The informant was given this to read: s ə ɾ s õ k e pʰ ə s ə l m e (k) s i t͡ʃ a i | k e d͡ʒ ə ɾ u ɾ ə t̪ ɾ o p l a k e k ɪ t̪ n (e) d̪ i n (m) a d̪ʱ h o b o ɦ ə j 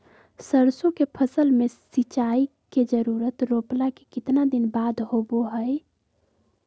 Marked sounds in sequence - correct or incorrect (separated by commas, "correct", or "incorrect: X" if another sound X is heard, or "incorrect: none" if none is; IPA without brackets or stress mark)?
incorrect: none, incorrect: a, incorrect: b